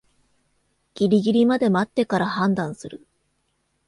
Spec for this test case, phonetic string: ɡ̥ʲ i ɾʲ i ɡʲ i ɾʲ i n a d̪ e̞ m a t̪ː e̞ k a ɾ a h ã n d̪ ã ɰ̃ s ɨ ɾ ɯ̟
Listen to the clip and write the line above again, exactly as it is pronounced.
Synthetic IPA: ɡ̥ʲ i ɾʲ i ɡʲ i ɾʲ i m a d̪ e̞ m a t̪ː e̞ k a ɾ a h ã n d̪ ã ɰ̃ s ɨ ɾ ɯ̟